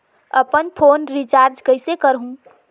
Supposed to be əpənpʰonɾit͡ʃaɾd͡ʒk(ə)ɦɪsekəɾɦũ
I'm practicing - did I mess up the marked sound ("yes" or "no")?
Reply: no